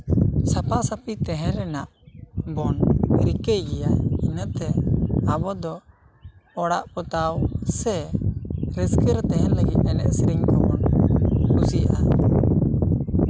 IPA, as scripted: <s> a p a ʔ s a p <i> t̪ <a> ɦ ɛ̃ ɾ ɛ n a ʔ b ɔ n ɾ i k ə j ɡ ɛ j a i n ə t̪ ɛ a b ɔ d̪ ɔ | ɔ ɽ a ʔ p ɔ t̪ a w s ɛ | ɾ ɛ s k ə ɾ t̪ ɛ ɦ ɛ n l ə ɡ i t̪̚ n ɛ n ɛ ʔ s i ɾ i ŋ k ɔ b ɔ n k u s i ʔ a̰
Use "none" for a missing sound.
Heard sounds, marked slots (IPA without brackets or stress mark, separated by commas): s, i, ɛ